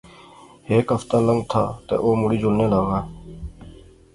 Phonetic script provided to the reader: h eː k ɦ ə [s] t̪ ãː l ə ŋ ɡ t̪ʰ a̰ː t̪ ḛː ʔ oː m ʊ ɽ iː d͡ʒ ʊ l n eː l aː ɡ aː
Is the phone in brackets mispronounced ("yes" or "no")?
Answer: yes